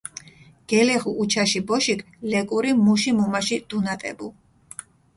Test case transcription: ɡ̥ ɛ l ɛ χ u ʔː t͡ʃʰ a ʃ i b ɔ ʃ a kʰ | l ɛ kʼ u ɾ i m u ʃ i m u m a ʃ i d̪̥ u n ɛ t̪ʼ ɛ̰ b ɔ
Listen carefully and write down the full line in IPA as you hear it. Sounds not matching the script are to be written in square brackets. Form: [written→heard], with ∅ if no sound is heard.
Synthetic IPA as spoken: ɡ̥ ɛ l ɛ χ u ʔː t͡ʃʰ a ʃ i b ɔ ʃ [a→i] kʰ | l ɛ kʼ u ɾ i m u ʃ i m u m a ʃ i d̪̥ u n [ɛ→a] t̪ʼ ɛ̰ b [ɔ→u]